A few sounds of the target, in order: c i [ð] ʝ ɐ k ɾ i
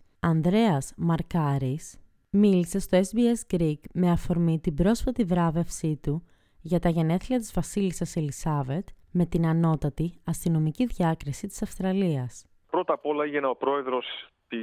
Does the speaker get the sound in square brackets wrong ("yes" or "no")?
no